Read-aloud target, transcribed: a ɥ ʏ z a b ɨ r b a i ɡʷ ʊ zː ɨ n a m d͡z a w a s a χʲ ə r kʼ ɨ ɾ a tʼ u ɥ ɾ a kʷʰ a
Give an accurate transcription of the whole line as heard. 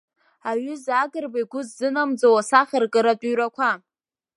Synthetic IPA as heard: a ɥ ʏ z a ɡ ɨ r b a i ɡʷ ʊ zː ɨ n a m d͡z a w a s a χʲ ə r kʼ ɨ ɾ a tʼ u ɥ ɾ a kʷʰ a